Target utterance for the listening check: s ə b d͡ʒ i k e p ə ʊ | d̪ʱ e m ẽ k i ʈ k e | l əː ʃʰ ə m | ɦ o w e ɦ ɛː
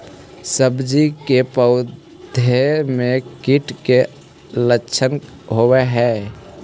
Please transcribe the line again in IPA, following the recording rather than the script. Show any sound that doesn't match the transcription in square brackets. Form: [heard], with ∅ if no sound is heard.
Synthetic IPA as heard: s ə b d͡ʒ i k e p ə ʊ | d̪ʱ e m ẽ k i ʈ k e | l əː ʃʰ ə [n] | ɦ o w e ɦ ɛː